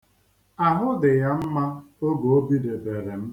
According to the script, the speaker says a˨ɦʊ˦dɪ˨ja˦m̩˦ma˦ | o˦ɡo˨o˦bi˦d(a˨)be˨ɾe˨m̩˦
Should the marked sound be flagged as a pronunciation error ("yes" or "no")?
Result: yes